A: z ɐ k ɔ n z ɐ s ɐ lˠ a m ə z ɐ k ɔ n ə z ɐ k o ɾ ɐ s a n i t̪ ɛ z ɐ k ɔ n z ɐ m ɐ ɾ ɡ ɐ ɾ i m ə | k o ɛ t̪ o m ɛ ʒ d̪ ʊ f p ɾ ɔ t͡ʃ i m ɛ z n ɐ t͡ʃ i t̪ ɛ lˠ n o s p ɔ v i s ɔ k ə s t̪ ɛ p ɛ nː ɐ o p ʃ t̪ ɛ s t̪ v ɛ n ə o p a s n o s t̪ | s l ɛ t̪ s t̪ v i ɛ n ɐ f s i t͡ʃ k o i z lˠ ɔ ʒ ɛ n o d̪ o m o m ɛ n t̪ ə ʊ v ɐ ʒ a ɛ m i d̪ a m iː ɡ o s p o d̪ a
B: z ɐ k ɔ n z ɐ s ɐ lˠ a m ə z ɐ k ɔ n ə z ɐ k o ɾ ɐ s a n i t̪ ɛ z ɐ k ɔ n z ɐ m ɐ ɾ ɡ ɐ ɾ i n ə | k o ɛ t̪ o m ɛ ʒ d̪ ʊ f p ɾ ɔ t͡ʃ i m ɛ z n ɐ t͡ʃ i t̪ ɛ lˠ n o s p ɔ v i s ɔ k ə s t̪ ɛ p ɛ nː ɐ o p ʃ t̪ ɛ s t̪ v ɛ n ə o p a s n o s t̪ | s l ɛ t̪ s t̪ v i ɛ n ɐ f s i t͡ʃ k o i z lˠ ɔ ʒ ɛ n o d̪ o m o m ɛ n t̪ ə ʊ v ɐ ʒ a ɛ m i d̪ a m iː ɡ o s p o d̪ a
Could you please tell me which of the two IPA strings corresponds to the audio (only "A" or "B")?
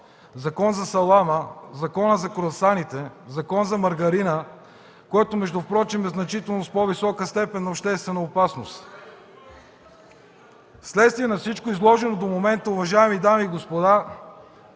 B